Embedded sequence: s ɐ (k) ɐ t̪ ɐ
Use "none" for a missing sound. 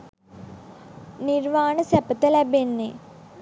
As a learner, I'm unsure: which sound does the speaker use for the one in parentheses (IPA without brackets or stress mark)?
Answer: p